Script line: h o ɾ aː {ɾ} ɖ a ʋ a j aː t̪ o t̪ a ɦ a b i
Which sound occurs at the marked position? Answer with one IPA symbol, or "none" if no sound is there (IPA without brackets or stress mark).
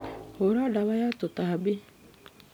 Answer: none